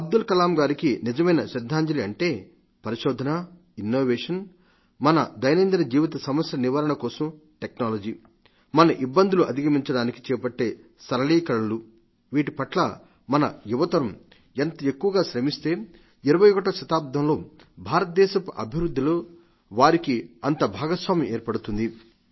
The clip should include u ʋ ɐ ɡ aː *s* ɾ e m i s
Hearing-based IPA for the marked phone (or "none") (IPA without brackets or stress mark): ʃ